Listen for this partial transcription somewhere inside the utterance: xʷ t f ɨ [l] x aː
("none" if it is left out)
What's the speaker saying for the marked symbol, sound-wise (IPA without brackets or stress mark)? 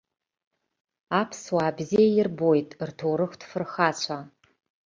r